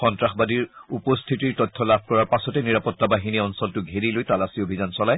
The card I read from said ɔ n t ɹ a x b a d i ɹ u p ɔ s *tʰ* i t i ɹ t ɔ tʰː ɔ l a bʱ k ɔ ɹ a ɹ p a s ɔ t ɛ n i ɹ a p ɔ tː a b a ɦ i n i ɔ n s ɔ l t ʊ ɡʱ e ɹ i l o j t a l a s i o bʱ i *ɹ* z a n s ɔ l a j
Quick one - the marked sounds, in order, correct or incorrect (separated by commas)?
correct, incorrect